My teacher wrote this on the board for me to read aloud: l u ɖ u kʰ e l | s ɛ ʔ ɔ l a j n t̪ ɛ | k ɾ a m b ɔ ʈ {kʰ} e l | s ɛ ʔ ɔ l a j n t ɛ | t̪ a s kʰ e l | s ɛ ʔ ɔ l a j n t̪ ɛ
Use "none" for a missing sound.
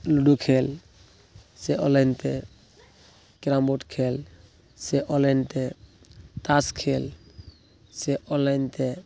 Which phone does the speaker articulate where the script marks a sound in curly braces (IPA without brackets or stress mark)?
kʰ